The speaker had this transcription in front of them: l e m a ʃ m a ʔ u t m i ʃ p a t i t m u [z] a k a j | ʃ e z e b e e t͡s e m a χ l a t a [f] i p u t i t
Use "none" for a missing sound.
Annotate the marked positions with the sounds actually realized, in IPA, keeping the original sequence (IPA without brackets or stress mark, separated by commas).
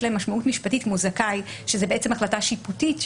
z, ʃ